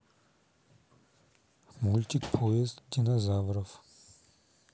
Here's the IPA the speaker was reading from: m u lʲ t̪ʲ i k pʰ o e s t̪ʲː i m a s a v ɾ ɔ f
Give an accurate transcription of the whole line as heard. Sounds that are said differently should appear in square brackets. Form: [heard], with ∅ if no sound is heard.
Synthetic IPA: m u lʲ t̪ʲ i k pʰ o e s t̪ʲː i [n] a [z] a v ɾ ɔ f